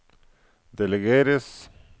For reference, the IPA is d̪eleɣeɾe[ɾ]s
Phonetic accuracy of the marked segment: incorrect: none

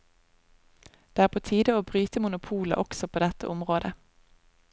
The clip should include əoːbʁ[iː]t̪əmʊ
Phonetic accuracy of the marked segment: incorrect: yː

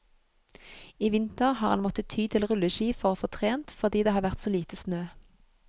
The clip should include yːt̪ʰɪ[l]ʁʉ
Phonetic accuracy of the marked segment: correct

